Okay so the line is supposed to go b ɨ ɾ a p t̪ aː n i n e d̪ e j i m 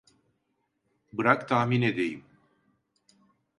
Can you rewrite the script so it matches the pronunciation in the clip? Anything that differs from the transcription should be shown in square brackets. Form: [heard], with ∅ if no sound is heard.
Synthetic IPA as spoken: b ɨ ɾ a [k] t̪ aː [m] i n e d̪ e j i m